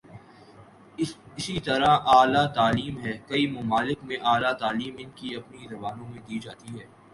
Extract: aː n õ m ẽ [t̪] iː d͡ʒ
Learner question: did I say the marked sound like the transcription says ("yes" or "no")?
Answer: no